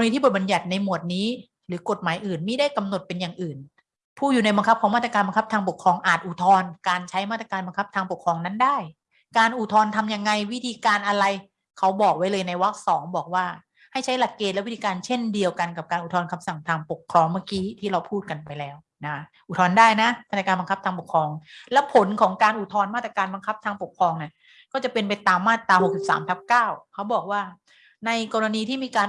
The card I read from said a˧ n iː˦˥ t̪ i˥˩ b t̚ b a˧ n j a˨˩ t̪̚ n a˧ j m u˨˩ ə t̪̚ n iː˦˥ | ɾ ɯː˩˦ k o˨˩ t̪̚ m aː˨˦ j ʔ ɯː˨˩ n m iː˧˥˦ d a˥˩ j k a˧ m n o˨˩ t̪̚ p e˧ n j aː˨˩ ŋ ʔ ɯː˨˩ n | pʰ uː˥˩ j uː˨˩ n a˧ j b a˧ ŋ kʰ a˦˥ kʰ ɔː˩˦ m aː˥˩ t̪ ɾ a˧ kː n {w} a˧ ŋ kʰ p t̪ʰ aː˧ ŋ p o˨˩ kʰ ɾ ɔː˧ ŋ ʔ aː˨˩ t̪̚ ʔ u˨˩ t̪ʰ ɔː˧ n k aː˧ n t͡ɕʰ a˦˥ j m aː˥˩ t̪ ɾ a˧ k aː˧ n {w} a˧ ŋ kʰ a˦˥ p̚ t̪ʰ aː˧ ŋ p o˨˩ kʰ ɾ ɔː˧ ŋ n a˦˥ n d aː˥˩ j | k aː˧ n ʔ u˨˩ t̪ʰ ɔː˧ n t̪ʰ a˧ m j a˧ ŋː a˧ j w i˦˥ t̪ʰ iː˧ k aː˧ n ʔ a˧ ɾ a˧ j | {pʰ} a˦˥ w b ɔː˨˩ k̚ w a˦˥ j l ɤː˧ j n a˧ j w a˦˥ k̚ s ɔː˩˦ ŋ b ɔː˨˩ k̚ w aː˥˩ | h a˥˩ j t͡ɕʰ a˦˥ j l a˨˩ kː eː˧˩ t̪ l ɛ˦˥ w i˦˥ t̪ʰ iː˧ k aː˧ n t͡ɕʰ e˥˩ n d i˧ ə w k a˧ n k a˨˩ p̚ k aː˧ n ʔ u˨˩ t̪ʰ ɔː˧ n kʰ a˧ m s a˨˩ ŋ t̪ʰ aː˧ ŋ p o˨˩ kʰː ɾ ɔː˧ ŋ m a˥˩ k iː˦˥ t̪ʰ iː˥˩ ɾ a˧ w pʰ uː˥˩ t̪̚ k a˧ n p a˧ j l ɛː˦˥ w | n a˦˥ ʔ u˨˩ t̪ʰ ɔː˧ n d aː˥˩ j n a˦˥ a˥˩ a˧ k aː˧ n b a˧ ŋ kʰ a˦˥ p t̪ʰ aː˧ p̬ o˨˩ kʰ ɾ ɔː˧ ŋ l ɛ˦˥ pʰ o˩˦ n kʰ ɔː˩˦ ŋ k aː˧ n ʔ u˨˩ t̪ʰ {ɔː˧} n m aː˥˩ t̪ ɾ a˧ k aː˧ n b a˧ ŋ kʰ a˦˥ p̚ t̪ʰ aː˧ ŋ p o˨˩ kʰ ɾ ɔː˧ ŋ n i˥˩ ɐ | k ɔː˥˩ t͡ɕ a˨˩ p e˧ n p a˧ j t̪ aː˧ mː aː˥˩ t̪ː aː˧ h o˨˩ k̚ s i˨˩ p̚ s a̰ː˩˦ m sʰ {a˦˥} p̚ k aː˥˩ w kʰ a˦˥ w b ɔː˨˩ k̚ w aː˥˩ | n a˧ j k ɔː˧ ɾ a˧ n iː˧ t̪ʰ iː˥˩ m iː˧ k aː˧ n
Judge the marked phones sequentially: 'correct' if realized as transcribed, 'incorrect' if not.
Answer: incorrect: b, incorrect: b, incorrect: kʰ, correct, correct

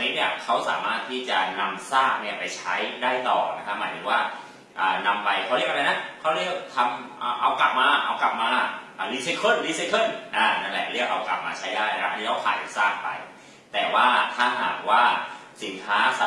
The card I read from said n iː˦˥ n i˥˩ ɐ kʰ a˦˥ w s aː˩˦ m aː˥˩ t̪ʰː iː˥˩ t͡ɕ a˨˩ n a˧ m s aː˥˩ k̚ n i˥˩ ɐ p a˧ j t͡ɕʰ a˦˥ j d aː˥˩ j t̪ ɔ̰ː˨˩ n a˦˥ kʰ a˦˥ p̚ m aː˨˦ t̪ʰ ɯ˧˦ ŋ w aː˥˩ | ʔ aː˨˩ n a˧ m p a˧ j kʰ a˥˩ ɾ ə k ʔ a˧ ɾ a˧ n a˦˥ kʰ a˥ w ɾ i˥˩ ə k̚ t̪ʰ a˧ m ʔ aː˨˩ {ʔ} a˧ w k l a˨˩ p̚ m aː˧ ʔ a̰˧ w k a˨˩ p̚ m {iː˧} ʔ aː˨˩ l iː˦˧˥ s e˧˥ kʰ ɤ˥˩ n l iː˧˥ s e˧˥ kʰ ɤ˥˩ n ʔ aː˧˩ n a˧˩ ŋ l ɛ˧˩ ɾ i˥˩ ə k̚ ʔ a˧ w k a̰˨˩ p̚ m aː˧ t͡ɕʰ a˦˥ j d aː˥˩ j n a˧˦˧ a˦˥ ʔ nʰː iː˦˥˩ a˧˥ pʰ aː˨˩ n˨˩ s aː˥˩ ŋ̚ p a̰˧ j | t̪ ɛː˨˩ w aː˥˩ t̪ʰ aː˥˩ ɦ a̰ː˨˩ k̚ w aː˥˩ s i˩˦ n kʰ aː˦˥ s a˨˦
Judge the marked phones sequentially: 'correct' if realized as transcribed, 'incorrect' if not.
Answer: correct, incorrect: aː˧

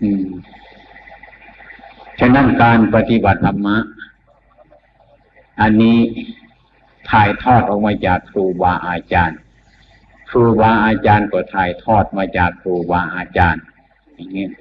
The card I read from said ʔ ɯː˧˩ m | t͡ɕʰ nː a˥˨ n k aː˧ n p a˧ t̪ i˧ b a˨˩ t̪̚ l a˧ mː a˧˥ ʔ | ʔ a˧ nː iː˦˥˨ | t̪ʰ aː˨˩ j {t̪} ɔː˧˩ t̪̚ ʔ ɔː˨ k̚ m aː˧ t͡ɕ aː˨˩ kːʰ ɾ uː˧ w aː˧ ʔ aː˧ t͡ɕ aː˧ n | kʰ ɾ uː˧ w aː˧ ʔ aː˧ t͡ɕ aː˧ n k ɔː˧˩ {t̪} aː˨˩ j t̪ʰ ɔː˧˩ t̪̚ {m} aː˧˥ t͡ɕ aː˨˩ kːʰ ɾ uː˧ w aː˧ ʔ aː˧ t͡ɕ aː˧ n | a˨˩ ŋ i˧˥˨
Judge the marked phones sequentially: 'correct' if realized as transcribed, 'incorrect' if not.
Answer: incorrect: t̪ʰ, incorrect: t̪ʰ, correct

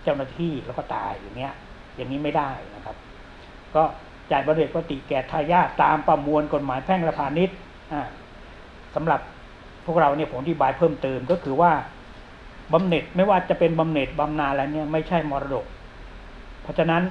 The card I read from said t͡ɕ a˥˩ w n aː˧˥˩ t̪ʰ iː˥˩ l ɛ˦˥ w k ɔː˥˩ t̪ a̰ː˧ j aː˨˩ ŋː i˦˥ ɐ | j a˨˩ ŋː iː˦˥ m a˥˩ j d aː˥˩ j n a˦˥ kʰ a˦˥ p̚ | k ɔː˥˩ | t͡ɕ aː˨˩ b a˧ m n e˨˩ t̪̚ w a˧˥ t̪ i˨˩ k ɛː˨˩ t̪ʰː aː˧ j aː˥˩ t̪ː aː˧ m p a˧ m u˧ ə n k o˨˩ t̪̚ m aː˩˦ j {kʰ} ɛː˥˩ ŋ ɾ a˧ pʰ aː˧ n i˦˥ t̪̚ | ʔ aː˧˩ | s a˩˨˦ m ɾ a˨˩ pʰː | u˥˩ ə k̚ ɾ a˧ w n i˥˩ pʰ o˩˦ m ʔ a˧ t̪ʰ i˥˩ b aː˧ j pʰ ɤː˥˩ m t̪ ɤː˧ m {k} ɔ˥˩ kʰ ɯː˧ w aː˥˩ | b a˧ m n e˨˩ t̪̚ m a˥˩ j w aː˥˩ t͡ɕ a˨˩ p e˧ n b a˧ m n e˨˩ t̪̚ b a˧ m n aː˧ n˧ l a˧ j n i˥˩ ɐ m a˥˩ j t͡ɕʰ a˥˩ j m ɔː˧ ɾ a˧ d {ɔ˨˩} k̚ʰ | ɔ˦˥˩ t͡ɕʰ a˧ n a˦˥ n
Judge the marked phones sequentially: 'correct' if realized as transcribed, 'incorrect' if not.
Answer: incorrect: pʰ, correct, incorrect: o˨˩

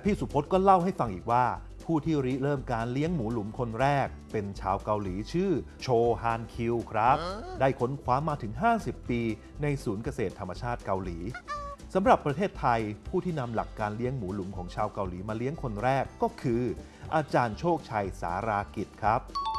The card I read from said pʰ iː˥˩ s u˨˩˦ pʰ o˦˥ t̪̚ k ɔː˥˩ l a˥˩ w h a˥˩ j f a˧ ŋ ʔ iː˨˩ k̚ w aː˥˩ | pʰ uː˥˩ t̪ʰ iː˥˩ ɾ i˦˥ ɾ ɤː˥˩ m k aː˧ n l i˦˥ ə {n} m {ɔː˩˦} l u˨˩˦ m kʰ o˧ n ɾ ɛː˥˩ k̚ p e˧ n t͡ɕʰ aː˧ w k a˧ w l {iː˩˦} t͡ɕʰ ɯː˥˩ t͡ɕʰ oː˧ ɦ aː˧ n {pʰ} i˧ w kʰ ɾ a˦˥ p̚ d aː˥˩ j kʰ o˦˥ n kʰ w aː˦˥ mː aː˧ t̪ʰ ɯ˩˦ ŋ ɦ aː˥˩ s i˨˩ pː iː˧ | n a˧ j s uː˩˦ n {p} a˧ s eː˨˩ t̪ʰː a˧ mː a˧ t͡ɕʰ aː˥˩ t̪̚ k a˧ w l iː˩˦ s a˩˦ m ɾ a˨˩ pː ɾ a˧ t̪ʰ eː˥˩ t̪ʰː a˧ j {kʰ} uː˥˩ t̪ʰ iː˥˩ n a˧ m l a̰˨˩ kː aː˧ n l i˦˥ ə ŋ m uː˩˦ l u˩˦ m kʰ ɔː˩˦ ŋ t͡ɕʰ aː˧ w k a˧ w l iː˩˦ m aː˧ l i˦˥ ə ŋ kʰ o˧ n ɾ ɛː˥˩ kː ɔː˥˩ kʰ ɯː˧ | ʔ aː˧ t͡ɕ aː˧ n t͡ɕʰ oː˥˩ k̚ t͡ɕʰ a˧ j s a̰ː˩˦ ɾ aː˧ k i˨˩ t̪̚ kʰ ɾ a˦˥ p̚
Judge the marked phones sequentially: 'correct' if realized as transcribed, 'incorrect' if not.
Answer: incorrect: ŋ, incorrect: uː˩˦, correct, incorrect: kʰ, incorrect: k, incorrect: pʰ

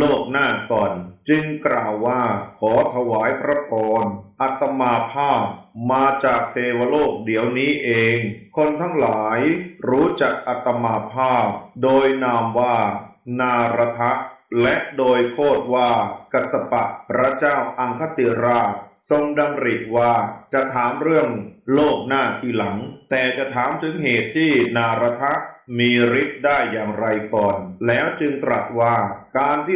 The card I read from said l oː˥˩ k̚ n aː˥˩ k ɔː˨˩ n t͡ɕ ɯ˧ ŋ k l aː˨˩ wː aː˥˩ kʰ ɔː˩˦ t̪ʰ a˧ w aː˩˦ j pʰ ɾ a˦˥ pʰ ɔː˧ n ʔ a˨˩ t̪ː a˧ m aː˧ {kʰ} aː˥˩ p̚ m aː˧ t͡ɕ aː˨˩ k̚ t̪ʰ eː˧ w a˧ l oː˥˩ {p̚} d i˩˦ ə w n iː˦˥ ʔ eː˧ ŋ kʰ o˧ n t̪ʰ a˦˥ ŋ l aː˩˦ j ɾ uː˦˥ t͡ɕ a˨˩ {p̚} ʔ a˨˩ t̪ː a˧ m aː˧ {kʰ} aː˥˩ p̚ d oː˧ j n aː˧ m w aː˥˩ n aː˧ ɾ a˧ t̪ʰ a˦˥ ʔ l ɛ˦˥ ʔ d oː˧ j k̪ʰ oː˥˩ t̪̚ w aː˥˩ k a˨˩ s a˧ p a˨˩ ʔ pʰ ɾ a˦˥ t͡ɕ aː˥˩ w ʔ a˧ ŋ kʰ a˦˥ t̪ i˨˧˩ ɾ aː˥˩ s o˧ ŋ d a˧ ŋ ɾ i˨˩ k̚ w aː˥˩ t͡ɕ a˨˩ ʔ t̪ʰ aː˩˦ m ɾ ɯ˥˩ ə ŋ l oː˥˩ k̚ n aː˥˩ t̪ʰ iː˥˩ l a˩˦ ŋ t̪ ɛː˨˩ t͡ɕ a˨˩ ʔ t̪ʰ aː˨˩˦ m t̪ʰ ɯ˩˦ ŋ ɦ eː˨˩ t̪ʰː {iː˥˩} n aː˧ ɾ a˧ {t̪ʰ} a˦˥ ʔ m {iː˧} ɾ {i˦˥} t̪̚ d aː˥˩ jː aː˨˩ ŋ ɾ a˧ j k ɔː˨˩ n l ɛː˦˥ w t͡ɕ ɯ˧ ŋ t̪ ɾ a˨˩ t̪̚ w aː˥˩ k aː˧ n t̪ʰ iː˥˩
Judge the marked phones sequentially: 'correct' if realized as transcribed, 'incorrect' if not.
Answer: incorrect: pʰ, incorrect: k̚, incorrect: k̚, incorrect: pʰ, correct, correct, correct, correct

